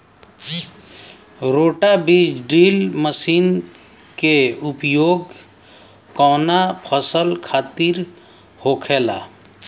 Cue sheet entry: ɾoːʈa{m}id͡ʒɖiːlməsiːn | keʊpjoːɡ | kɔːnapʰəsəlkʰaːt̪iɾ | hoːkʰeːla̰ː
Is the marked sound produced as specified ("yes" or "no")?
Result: no